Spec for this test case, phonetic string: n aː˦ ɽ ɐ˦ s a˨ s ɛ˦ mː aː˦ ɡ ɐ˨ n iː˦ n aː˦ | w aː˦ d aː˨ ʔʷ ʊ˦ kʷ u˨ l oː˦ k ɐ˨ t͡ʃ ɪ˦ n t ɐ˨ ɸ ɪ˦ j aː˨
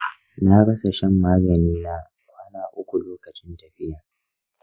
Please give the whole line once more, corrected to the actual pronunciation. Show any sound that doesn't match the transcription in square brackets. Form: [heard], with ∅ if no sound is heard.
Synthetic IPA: n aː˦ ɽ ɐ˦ s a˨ [ʃ] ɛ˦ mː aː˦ ɡ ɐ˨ n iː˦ n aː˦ | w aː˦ [n] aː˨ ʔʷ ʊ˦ kʷ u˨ l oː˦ k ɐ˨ t͡ʃ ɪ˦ n t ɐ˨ ɸ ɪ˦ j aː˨